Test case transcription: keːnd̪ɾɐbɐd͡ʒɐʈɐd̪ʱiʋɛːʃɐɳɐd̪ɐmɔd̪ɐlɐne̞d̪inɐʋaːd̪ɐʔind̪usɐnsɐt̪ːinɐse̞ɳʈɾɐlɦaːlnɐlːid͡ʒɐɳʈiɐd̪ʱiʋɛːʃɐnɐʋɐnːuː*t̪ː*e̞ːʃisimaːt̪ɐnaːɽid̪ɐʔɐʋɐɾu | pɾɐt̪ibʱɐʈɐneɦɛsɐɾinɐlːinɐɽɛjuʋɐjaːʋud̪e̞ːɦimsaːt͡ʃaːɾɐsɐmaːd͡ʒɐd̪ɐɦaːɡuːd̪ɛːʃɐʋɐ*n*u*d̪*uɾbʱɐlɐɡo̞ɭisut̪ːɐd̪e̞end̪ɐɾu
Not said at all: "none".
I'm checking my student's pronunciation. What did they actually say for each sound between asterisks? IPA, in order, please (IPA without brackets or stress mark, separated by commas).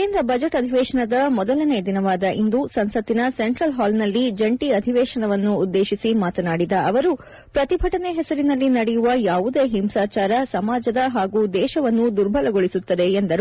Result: d̪ː, nː, d̪